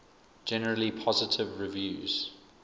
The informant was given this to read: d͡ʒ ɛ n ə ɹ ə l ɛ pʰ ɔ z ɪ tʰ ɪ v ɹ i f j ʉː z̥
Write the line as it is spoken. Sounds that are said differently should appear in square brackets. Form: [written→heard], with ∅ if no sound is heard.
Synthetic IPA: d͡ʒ ɛ n ə ɹ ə l [ɛ→i] pʰ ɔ z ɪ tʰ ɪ v ɹ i [f→v] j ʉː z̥